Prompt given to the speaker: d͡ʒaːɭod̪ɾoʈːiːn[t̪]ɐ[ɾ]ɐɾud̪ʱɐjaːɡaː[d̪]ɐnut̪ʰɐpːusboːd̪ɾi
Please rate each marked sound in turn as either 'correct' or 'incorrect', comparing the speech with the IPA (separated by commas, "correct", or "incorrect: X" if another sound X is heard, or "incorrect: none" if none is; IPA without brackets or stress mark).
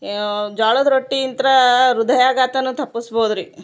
correct, correct, incorrect: t̪